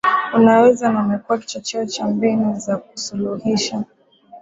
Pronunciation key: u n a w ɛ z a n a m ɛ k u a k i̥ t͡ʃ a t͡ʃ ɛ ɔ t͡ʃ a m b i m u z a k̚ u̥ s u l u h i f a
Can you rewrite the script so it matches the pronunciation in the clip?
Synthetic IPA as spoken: u n a w ɛ z a n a m ɛ k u a k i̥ t͡ʃ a t͡ʃ ɛ ɔ t͡ʃ a m b i n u z a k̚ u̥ s u l u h i ʃ a